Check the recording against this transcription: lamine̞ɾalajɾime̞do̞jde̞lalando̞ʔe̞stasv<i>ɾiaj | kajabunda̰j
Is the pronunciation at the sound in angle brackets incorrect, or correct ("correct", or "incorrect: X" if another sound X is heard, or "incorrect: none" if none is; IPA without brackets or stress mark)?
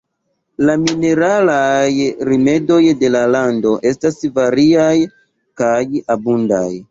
incorrect: a